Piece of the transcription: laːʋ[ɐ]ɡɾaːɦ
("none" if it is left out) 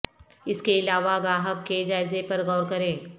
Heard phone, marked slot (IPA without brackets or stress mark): a